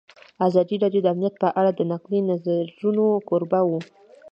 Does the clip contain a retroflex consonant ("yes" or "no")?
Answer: yes